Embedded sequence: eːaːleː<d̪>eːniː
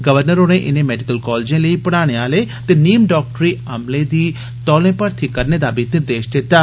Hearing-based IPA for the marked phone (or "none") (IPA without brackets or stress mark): t̪